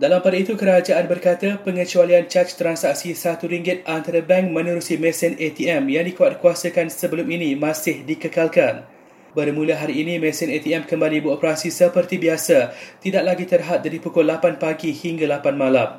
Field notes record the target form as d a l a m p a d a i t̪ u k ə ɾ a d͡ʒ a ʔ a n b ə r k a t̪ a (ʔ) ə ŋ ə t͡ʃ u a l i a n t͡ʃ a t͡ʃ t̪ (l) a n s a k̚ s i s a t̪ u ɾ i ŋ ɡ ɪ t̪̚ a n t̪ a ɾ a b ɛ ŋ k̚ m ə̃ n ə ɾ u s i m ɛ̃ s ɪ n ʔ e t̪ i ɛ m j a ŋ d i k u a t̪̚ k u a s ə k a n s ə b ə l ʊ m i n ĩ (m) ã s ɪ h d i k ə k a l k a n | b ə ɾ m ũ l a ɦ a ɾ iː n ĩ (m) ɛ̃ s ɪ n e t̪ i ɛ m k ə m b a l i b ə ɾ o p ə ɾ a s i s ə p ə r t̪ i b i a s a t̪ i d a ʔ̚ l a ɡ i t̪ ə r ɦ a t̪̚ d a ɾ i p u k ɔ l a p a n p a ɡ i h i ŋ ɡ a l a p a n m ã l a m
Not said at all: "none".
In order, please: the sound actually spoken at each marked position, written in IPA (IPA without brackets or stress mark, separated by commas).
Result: p, ɾ, m, m